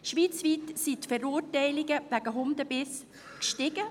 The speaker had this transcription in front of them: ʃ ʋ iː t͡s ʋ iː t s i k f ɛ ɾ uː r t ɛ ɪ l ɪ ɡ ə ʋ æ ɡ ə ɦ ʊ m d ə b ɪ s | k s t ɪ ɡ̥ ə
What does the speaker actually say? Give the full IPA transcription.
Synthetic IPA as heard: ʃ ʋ iː t͡s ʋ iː t s i t f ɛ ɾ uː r t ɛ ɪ l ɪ ɡ ə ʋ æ ɡ ə ɦ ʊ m d ə b ɪ s | k ʃ t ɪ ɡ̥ ə